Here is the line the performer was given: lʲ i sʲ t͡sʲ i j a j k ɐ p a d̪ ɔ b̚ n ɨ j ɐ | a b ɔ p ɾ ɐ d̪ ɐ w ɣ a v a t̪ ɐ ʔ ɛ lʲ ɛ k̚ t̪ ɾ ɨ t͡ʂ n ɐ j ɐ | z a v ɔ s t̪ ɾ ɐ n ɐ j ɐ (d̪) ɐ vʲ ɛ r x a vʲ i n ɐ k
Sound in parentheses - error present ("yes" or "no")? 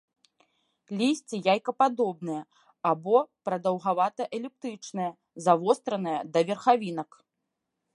no